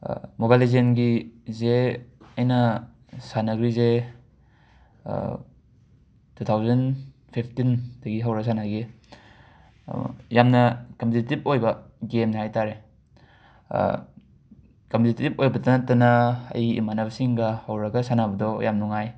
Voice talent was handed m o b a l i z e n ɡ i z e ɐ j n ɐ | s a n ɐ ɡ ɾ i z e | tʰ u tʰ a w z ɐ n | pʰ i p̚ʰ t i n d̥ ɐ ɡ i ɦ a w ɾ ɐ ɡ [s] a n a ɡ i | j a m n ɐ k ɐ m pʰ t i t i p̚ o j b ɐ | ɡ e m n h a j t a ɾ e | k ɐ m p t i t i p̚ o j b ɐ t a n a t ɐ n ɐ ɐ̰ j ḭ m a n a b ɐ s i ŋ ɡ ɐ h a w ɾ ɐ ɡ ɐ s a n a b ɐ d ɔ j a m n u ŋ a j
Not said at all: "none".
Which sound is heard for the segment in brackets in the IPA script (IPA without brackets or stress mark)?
s